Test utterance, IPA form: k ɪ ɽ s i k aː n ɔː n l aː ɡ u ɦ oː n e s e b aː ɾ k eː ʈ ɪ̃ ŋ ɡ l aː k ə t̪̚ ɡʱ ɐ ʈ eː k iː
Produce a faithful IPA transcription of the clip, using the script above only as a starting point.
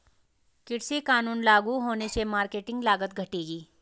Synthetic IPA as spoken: k ɪ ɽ s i k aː n uː n l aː ɡ u ɦ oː n e s e m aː ɾ k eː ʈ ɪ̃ ŋ ɡ l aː ɡ ə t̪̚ ɡʱ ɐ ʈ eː ɡ iː